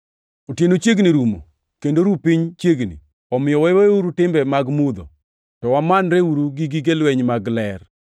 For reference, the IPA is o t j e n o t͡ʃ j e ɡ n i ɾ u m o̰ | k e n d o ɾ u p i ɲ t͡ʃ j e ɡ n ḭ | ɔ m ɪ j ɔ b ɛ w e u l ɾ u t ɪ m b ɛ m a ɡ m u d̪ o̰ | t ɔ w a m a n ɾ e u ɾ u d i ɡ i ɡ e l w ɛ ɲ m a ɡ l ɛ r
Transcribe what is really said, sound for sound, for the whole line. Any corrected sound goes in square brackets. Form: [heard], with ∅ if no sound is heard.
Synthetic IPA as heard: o t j e n o t͡ʃ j e ɡ n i ɾ u m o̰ | k e n d o ɾ u p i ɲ t͡ʃ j e ɡ n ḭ | ɔ m ɪ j ɔ [w] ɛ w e u [∅] ɾ u t ɪ m b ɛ m a ɡ m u d̪ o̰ | t ɔ w a m a n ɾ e u ɾ u [ɡ] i ɡ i ɡ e l w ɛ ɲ m a ɡ l ɛ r